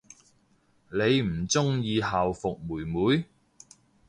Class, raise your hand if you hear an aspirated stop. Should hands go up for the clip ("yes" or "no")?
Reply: no